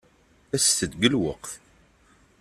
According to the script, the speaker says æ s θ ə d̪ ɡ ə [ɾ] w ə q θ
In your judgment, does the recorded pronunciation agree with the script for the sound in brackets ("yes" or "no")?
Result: no